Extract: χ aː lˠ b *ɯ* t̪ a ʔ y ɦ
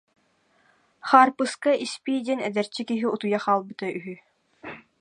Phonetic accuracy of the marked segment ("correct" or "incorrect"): correct